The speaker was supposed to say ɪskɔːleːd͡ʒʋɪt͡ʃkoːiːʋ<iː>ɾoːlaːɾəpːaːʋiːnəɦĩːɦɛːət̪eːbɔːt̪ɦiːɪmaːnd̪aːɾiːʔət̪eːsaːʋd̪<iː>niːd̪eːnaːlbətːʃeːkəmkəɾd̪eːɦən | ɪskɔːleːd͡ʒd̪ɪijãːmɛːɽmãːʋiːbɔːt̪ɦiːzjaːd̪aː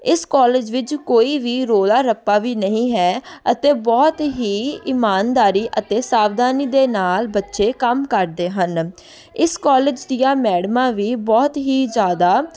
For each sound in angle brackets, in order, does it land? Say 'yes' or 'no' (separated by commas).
yes, no